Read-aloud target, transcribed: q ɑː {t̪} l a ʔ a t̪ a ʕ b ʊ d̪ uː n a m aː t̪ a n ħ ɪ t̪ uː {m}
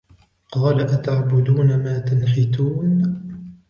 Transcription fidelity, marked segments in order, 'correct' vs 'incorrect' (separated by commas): incorrect, incorrect